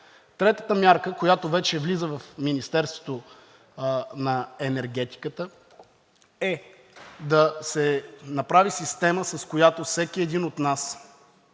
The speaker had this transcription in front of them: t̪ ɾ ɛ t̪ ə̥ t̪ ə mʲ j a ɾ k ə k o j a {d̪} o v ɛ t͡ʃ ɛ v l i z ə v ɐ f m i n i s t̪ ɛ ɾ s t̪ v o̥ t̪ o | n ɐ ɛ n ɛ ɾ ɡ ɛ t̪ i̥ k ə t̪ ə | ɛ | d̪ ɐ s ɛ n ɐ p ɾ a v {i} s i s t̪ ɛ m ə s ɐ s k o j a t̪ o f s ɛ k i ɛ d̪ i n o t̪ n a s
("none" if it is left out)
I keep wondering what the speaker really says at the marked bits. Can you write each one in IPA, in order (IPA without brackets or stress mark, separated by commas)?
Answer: t̪, i